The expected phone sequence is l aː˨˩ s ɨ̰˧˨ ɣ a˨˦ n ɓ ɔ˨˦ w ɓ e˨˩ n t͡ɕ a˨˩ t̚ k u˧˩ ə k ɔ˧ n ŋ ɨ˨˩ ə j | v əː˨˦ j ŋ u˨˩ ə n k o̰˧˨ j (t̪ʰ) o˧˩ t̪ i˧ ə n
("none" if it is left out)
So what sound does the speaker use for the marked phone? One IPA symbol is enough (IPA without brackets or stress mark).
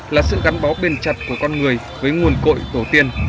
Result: t̪